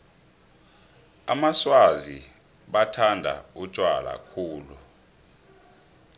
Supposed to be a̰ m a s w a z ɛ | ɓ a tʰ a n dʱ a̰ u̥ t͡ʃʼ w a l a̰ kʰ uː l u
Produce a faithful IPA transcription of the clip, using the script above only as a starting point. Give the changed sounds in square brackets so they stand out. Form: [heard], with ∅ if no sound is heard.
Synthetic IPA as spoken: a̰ m a s w a z [i] | ɓ a tʰ a n dʱ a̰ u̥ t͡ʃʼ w a l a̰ kʰ uː l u